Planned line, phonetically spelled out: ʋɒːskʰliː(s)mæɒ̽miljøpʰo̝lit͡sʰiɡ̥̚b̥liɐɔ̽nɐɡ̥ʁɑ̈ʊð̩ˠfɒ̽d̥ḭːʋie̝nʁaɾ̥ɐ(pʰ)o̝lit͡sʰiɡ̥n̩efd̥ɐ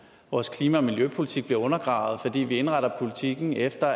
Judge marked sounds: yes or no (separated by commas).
no, yes